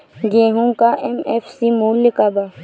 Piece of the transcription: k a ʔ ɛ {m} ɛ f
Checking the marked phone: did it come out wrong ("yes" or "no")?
no